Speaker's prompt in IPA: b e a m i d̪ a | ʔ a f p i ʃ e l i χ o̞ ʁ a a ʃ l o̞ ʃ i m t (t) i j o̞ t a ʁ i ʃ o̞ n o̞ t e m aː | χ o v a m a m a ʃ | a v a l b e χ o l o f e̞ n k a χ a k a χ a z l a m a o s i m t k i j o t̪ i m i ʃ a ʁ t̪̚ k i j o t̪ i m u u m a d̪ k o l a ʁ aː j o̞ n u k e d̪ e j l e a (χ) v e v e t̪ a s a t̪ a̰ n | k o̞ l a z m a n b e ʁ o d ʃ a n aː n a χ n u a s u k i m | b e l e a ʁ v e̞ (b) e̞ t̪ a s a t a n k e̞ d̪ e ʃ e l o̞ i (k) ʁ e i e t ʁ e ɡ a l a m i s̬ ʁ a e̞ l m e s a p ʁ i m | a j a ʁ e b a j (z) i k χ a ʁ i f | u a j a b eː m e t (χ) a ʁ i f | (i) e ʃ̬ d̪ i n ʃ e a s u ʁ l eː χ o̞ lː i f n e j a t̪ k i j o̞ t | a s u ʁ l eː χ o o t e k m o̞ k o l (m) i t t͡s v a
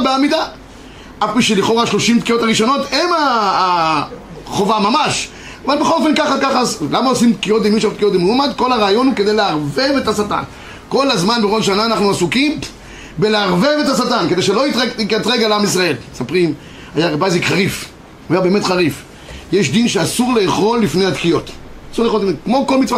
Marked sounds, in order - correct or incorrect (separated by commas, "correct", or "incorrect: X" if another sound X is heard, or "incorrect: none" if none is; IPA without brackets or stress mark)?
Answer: incorrect: k, incorrect: ʁ, incorrect: v, incorrect: t, correct, correct, incorrect: j, correct